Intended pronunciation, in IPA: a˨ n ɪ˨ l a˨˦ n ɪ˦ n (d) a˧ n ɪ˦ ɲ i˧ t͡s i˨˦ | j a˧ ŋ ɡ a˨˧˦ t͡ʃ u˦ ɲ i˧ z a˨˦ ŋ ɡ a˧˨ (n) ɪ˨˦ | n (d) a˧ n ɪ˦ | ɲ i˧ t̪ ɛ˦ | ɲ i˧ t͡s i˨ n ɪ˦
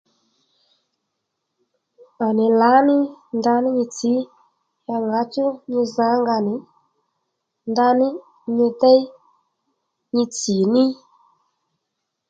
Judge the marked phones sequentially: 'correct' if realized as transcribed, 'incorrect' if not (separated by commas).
correct, correct, correct